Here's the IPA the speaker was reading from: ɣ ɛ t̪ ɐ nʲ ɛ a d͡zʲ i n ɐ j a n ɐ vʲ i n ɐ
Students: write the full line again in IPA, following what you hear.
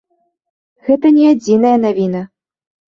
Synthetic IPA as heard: ɣ ɛ t̪ ɐ nʲ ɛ a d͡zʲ i n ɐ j ɐ n a vʲ i n ɐ